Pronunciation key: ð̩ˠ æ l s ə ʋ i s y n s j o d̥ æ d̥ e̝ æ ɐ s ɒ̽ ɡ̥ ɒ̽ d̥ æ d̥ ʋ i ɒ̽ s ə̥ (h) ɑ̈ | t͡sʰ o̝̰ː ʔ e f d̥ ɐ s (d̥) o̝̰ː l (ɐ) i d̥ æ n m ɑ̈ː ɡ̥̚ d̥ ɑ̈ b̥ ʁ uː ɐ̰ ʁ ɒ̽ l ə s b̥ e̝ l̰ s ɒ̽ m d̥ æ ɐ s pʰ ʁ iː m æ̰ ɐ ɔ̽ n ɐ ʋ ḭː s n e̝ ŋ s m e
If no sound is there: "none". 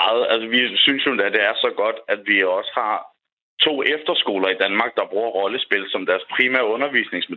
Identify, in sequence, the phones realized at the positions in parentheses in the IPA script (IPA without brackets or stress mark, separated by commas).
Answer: h, ɡ̥, ɐ